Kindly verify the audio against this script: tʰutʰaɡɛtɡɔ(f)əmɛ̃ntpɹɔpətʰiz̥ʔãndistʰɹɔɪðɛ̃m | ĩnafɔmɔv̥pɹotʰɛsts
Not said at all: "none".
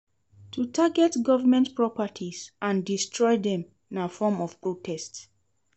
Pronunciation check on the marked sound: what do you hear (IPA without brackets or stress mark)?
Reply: v